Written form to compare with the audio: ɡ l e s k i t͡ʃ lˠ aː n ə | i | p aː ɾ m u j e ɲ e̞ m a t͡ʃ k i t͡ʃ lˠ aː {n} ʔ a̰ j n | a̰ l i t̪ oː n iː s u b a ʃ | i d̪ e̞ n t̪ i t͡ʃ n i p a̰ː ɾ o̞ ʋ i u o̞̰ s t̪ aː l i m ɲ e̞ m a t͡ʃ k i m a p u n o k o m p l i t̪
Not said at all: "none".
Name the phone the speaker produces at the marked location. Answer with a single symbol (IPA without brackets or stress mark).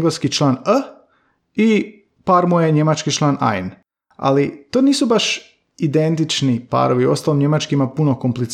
n